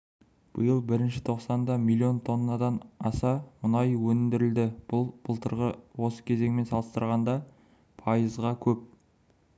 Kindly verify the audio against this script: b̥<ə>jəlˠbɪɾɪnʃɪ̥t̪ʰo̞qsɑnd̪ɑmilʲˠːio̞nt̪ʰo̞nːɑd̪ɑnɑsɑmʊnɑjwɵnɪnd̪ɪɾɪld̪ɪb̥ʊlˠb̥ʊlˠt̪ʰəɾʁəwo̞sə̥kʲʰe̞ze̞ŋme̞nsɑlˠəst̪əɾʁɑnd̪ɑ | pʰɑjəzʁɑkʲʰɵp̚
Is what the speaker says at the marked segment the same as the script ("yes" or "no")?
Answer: yes